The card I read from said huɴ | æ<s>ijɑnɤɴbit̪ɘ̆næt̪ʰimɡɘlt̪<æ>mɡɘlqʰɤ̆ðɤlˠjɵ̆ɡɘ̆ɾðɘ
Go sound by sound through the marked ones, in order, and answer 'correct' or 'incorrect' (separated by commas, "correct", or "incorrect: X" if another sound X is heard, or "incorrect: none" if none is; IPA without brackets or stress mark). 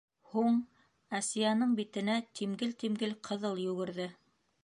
correct, incorrect: i